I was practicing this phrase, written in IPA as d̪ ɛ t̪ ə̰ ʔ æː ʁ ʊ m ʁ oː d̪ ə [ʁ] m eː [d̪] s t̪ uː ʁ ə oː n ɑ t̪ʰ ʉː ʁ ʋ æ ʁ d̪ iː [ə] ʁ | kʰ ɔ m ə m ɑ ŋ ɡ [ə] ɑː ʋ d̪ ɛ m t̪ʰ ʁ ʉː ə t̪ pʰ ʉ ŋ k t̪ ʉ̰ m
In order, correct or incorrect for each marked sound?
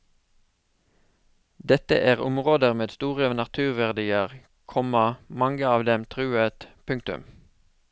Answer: correct, correct, correct, correct

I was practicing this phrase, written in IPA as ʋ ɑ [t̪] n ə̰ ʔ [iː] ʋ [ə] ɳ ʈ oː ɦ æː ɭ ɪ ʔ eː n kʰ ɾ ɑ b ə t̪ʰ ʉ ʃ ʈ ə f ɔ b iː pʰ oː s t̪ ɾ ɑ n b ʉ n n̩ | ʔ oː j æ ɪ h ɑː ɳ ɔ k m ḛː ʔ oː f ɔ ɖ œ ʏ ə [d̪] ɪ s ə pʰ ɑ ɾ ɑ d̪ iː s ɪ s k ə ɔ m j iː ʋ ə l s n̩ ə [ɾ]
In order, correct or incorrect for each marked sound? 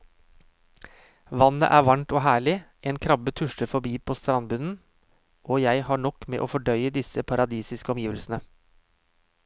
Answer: incorrect, incorrect, incorrect, correct, incorrect

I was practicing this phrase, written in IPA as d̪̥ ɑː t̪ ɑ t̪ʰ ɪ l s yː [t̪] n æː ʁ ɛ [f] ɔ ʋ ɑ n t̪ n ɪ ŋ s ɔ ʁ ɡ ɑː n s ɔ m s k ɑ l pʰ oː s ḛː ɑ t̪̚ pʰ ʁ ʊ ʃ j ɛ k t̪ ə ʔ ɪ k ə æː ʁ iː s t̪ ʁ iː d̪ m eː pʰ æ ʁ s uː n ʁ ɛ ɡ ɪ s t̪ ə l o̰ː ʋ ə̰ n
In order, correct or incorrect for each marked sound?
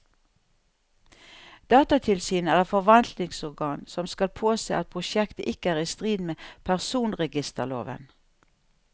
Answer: incorrect, correct

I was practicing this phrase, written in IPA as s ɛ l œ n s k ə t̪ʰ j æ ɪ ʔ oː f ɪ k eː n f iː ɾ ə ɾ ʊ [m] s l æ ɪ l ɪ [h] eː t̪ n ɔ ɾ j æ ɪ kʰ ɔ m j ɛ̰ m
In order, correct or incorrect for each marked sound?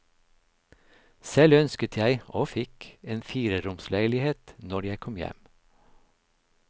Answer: correct, correct

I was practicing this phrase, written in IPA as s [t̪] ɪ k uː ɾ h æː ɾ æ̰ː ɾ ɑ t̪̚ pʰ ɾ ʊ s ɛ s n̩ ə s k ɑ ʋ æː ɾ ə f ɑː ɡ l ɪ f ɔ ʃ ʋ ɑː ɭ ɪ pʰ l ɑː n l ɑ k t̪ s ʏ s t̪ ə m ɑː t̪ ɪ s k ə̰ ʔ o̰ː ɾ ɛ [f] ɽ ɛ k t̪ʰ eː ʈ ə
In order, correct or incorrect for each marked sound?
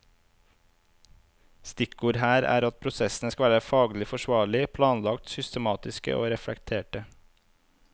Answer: correct, correct

